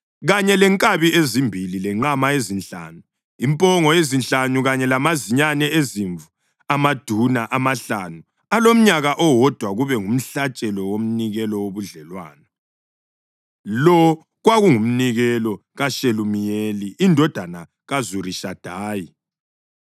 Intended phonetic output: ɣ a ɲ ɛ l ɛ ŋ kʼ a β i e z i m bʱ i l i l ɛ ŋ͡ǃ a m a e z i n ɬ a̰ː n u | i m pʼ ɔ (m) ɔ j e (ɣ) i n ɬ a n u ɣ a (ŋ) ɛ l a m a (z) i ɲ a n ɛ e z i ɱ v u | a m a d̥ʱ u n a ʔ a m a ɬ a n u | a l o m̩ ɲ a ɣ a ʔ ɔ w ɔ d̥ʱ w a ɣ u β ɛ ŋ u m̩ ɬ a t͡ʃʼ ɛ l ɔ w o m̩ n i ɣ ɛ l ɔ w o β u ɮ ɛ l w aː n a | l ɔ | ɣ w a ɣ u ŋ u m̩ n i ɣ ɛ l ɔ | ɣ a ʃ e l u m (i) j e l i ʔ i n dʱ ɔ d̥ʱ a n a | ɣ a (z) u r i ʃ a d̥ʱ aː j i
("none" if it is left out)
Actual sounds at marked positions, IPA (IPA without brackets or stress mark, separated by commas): ŋ, z, ɲ, z, i, z